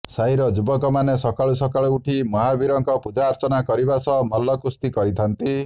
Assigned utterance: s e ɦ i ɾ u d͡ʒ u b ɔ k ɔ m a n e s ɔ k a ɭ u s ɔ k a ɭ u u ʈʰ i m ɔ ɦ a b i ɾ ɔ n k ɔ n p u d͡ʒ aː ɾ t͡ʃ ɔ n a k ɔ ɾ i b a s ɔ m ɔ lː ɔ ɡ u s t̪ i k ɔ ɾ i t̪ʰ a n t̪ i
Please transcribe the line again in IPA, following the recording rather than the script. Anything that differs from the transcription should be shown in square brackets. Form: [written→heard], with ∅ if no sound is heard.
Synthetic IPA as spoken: s [e→a] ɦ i ɾ [u→ɔ] d͡ʒ u b ɔ k ɔ m a n e s ɔ k a ɭ u s ɔ k a ɭ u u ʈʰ i m ɔ ɦ a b i ɾ ɔ [n→ŋ] k ɔ [n→∅] p u d͡ʒ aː ɾ t͡ʃ ɔ n a k ɔ ɾ i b a s ɔ m ɔ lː ɔ [ɡ→k] u s t̪ i k ɔ ɾ i t̪ʰ a n t̪ i